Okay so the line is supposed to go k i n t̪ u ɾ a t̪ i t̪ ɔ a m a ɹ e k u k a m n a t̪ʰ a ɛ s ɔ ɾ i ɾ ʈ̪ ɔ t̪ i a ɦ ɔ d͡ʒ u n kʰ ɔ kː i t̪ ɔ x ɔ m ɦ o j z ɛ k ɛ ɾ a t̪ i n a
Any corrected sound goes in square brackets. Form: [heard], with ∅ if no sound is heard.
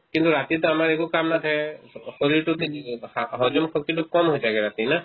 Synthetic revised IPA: k i n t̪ u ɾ a t̪ i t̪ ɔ a m a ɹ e k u k a m n a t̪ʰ a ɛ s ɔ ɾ i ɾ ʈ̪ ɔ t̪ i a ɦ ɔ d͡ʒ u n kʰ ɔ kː i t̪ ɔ [k] ɔ m ɦ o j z [a] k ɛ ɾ a t̪ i n a